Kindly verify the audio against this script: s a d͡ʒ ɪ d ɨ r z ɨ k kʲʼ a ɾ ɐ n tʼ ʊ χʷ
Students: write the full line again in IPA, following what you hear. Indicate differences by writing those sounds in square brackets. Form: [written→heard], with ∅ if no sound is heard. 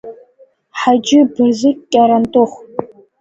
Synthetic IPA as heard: [s→ħ] a d͡ʒ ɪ [d→b] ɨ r z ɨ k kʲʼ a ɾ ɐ n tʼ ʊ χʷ